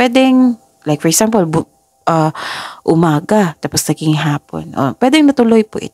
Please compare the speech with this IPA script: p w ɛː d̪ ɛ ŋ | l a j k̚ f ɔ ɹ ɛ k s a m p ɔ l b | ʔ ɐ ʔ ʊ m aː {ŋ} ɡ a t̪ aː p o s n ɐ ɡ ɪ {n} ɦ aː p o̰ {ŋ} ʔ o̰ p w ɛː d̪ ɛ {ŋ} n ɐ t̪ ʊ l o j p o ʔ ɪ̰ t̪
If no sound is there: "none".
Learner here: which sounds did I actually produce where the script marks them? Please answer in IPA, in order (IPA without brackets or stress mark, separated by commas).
none, ŋ, n, ŋ